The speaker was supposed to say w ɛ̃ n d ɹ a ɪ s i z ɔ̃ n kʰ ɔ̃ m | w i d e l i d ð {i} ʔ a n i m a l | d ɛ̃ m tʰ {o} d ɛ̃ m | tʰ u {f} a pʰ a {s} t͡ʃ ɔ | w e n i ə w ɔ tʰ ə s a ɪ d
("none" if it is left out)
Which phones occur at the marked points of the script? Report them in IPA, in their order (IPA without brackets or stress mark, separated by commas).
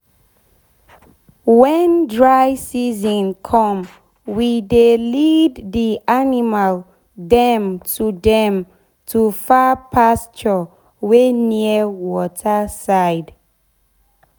i, u, f, s